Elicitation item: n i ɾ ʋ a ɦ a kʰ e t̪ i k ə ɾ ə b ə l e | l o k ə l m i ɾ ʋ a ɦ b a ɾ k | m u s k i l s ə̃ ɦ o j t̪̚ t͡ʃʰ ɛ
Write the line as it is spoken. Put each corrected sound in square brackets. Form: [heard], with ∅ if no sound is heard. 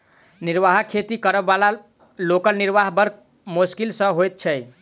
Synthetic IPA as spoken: n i ɾ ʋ a ɦ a kʰ e t̪ i k ə ɾ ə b [a] l [a] | l o k ə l [n] i ɾ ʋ a ɦ b [ə] ɾ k | m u s k i l s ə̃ ɦ o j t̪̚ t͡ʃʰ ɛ

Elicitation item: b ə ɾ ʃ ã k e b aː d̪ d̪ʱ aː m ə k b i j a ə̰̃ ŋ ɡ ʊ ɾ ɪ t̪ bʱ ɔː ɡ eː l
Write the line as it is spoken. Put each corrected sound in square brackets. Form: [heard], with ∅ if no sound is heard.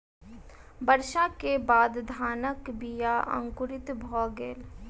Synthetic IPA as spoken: b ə ɾ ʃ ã k e b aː d̪ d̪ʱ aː [n] ə k b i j a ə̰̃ ŋ [k] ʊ ɾ ɪ t̪ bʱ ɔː ɡ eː l

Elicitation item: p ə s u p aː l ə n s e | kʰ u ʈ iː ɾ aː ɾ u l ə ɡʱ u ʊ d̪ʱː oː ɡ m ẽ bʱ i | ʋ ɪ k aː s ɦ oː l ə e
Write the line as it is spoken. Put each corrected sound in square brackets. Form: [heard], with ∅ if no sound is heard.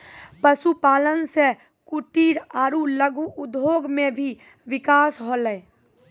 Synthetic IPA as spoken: p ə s u p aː l ə n s e | [k] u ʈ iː ɾ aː ɾ u l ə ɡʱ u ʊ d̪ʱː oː ɡ m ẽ bʱ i | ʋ ɪ k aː s ɦ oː l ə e

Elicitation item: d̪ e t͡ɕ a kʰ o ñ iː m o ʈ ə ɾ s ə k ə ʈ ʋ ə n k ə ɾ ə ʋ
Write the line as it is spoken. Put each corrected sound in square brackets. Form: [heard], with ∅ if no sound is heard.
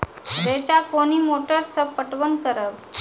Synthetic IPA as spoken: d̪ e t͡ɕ a [k] o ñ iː m o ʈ ə ɾ s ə [p] ə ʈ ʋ ə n k ə ɾ ə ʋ

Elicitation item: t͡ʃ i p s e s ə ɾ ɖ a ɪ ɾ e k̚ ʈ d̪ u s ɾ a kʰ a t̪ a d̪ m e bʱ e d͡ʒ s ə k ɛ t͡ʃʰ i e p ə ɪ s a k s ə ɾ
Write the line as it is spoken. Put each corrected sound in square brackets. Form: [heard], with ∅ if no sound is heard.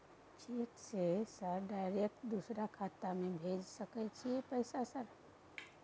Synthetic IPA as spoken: t͡ʃ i [k] s e s ə ɾ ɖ a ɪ ɾ e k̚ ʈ d̪ u s ɾ a kʰ a t̪ a [∅] m e bʱ e d͡ʒ s ə k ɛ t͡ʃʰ i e p ə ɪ s a [∅] s ə ɾ

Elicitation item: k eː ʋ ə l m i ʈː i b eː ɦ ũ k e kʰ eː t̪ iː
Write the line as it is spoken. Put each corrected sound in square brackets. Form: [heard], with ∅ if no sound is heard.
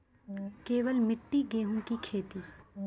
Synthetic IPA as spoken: k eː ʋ ə l m [ɪ] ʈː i [ɡ] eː ɦ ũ k [i] kʰ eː t̪ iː

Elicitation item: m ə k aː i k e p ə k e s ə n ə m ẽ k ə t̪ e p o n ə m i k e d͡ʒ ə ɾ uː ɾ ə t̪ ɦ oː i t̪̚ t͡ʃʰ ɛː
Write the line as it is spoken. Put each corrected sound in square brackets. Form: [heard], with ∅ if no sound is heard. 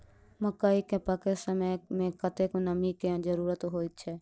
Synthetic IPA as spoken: m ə k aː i k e p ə k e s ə [m] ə m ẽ k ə t̪ e [k] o n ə m i k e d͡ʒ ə ɾ uː ɾ ə t̪ ɦ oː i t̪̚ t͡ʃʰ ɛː

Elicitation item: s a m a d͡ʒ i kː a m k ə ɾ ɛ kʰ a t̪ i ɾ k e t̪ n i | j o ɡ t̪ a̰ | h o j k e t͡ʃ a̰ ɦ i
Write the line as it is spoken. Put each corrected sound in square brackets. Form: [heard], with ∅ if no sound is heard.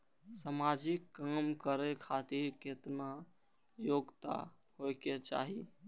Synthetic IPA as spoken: s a m a d͡ʒ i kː a m k ə ɾ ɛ kʰ a t̪ i ɾ k e t̪ n [a] | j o ɡ t̪ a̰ | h o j k e t͡ʃ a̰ ɦ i

